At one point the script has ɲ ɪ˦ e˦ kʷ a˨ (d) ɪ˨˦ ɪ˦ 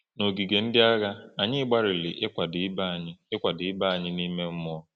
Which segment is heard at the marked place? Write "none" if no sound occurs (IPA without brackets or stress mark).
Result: d